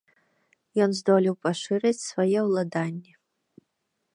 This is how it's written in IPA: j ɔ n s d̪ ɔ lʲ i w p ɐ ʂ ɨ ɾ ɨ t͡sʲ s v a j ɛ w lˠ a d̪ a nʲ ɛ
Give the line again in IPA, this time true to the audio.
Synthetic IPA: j ɔ n z d̪ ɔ lʲ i w p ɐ ʂ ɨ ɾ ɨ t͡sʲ s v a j ɛ w lˠ a d̪ a nʲː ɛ